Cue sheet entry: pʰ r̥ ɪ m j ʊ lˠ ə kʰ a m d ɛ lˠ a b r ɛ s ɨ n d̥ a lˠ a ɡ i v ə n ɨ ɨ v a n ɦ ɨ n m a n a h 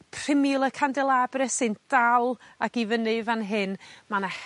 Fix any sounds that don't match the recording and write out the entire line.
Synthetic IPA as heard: pʰ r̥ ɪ m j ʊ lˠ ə kʰ a n d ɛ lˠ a b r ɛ s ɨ n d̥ a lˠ a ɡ i v ə n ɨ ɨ v a n ɦ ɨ n m a n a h